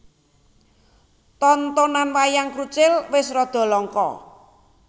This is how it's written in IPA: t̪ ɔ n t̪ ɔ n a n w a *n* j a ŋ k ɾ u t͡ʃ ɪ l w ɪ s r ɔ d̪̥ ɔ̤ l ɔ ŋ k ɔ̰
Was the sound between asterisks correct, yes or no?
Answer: no